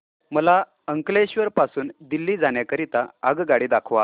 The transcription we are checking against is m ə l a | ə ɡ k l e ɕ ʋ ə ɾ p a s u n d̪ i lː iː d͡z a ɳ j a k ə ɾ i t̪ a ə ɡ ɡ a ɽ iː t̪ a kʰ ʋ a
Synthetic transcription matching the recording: m ə l a | ə ŋ k l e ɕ ʋ ə ɾ p a s uː n d̪ i lː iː d͡z a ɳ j a k ə ɾ i t̪ a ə ɡ ɡ a ɽ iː d̪ a kʰ ʋ a